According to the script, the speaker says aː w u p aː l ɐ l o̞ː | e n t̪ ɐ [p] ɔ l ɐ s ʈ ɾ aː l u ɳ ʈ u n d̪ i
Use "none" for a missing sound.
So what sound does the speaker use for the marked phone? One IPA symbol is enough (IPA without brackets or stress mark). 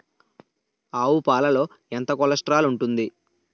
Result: k